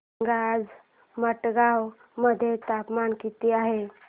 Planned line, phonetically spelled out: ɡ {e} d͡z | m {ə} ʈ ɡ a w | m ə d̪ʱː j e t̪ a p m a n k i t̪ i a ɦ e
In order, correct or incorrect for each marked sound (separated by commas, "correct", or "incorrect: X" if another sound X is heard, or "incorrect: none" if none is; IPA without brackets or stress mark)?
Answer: incorrect: a, correct